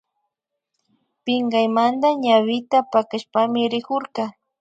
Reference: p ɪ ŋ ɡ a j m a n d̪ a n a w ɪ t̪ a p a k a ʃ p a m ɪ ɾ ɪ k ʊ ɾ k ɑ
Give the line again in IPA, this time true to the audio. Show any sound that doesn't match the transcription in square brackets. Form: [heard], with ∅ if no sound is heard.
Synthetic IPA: p ɪ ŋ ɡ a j m a n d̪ a [ɲ] a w ɪ t̪ a p a k a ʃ p a m ɪ ɾ ɪ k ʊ ɾ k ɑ